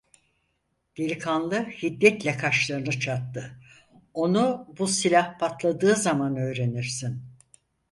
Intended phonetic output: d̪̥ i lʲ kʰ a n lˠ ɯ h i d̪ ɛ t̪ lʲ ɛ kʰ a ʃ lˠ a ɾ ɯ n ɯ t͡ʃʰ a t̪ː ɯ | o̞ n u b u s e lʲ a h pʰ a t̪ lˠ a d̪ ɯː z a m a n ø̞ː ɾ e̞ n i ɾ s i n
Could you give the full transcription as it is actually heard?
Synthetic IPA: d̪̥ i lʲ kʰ a n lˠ ɯ h i d̪ː ɛ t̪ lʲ ɛ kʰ a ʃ lˠ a ɾ ɯ n ɯ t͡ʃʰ a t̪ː ɯ | o̞ n u b u s i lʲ a h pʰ a t̪ lˠ a d̪ ɯː z a m a n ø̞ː ɾ e̞ n i ɾ s i n